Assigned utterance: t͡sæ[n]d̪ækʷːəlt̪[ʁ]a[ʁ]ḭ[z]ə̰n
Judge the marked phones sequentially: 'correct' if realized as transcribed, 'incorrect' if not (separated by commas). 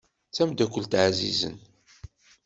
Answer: incorrect, incorrect, incorrect, correct